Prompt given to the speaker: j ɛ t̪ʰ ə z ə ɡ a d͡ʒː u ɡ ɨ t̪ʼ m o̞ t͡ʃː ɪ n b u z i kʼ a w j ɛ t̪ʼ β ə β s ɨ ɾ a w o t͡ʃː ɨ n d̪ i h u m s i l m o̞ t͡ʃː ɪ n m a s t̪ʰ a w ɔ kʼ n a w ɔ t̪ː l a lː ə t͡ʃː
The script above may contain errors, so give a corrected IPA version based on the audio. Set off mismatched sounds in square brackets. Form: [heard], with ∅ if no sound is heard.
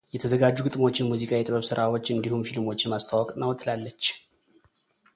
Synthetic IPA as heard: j ɛ t̪ʰ ə z ə ɡ a d͡ʒː u ɡ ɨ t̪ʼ m o̞ t͡ʃː ɪ n [m] u z i kʼ a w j ɛ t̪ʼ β ə β s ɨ ɾ a w o t͡ʃː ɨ n d̪ i h u m [f] i l m o̞ t͡ʃː ɪ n m a s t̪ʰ a w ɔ kʼ n a w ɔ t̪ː l a lː ə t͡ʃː